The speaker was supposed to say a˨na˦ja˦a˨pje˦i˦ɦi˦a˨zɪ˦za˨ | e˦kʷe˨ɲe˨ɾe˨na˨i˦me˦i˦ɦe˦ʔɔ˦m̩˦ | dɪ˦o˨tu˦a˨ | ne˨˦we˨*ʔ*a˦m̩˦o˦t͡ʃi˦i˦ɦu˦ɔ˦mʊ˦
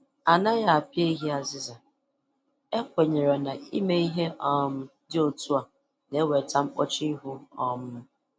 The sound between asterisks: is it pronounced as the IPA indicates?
no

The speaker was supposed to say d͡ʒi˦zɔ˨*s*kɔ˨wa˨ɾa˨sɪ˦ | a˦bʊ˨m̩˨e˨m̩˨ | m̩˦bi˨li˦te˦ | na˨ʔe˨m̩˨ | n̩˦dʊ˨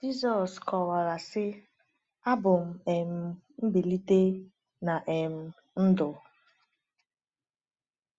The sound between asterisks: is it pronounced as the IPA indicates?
yes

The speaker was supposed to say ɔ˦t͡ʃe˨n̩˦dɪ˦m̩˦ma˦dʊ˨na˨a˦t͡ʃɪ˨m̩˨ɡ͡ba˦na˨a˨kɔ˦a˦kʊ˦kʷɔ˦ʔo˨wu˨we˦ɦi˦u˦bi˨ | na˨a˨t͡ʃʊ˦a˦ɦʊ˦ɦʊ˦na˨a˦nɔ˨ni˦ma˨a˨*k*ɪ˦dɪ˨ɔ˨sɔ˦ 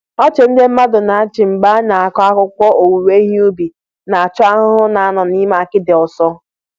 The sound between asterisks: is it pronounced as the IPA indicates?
yes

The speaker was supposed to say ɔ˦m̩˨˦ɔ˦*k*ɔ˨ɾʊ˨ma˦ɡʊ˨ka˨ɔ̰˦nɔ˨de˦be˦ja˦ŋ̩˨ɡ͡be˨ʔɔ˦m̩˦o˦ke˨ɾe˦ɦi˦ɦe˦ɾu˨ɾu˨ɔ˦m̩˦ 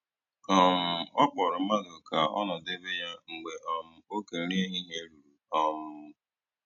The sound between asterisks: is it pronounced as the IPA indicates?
no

